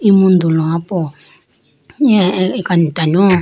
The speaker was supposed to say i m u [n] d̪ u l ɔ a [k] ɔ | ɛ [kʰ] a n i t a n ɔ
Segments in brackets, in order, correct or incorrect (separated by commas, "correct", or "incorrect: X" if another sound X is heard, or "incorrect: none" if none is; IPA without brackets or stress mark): correct, incorrect: p, incorrect: k